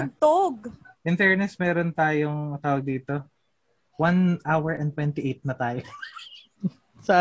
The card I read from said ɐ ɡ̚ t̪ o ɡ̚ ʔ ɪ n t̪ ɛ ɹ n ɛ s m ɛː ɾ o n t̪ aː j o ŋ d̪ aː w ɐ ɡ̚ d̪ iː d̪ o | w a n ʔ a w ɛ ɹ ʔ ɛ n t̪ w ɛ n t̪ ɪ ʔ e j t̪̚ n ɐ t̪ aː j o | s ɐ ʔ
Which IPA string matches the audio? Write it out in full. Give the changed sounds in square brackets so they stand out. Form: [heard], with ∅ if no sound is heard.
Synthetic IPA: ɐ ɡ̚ t̪ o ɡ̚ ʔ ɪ n t̪ ɛ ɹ n ɛ s m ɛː ɾ o n t̪ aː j o ŋ [t̪] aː w ɐ ɡ̚ d̪ iː [t̪] o | w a n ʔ a w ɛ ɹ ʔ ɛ n t̪ w ɛ n t̪ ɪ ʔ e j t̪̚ n ɐ t̪ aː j o | s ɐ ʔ